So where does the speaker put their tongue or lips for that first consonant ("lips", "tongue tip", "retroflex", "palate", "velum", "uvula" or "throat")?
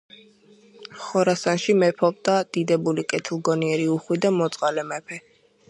uvula